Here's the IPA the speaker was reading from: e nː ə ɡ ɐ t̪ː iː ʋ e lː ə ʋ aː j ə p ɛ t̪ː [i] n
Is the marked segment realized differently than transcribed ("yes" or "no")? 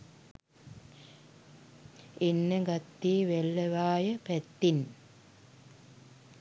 no